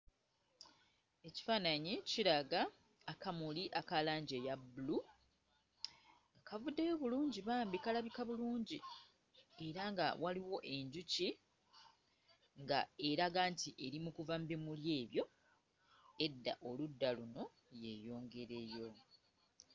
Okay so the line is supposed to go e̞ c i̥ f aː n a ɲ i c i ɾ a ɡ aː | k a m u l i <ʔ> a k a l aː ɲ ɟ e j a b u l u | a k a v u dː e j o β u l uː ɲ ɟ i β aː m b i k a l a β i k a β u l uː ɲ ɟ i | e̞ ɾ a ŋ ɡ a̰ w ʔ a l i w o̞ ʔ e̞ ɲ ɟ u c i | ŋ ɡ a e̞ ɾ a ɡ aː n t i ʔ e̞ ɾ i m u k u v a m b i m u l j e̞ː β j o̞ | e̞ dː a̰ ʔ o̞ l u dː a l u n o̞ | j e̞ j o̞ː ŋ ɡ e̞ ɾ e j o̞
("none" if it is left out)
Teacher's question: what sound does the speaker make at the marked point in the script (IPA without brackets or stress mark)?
ʔ